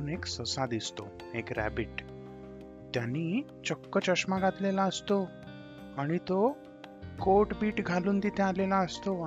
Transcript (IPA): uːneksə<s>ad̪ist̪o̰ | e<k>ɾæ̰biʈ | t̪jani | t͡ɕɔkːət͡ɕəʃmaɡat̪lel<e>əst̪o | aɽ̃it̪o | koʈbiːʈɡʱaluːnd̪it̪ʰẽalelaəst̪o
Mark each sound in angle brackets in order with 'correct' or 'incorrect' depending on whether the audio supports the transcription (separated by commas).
correct, correct, incorrect